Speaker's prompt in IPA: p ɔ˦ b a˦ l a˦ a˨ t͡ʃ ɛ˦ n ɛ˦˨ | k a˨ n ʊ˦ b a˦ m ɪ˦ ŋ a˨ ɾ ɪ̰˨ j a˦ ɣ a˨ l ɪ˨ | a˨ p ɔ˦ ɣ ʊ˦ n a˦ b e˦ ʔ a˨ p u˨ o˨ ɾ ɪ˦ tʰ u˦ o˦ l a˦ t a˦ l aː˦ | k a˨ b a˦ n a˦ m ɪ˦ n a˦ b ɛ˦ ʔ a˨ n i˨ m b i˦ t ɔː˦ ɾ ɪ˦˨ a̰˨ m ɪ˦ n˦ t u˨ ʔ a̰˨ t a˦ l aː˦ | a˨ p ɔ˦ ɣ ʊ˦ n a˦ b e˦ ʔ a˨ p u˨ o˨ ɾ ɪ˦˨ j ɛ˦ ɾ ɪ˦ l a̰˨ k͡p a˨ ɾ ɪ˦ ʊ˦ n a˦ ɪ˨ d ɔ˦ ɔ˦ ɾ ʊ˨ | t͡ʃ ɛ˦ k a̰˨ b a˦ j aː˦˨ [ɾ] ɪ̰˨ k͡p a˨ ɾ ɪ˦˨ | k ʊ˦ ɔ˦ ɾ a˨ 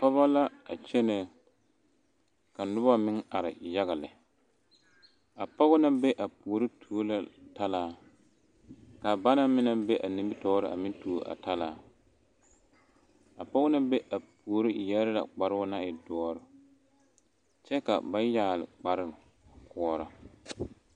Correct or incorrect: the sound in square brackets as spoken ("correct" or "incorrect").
incorrect